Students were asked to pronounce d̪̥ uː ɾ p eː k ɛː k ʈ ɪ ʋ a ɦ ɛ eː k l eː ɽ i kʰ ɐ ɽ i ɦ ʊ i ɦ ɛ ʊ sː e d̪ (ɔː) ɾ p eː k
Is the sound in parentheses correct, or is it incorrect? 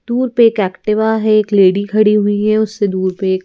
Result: incorrect